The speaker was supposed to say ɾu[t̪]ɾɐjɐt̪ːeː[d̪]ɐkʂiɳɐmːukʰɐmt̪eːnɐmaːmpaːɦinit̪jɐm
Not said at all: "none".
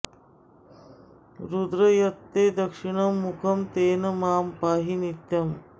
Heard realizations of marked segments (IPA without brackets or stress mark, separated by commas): d̪, d̪